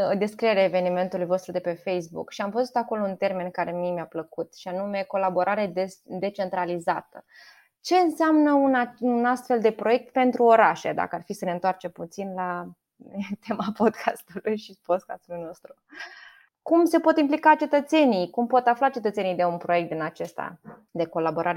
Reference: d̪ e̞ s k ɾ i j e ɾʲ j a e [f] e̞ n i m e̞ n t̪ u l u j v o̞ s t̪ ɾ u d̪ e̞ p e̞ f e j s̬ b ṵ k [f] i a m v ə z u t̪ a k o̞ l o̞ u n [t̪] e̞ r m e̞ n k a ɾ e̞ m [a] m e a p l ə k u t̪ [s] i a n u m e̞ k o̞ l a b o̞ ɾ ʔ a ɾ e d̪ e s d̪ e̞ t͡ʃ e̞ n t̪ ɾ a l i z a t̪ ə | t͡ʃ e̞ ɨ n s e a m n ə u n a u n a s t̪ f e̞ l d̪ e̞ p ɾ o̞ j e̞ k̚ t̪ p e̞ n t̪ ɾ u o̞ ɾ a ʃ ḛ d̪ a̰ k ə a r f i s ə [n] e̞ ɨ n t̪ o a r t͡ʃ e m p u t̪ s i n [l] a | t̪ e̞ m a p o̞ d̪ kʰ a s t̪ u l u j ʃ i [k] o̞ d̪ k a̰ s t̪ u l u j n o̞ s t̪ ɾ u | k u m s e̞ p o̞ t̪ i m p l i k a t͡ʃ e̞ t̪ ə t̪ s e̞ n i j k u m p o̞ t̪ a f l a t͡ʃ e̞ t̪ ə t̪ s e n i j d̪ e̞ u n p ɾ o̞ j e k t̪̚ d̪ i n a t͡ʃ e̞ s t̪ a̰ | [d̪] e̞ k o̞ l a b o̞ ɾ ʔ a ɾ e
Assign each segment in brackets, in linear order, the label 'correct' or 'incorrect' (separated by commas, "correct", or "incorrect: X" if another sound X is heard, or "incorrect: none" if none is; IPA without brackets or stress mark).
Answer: incorrect: v, incorrect: ʃ, correct, incorrect: i, incorrect: ʃ, correct, correct, incorrect: p, correct